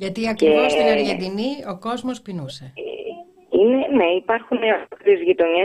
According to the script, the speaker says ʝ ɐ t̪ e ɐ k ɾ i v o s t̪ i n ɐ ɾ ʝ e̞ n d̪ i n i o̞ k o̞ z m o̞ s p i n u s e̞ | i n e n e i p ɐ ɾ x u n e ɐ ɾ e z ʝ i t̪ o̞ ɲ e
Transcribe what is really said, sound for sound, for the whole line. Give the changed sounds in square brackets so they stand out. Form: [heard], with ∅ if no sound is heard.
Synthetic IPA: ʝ ɐ t̪ [i] ɐ k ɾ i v o s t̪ i n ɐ ɾ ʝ e̞ n d̪ i n i o̞ k o̞ z m o̞ s p i n u s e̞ | i n e n e i p ɐ ɾ x u n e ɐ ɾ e z ʝ i t̪ o̞ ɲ e